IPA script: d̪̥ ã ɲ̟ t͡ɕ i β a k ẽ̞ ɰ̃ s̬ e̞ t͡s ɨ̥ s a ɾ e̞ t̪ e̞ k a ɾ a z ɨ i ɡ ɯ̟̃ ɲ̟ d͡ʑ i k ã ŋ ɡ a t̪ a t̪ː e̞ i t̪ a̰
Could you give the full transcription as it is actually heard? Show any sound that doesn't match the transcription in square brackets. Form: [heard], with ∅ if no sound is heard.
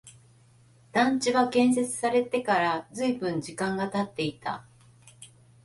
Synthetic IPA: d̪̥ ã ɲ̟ t͡ɕ i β a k ẽ̞ ɰ̃ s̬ e̞ t͡s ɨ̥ s a ɾ e̞ t̪ e̞ k a ɾ a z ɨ i [b] ɯ̟̃ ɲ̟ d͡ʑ i k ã ŋ ɡ a t̪ a t̪ː e̞ i t̪ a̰